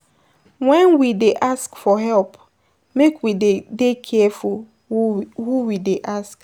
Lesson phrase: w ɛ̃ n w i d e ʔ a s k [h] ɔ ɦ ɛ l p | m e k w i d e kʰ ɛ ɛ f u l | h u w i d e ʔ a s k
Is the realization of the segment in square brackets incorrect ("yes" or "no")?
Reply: yes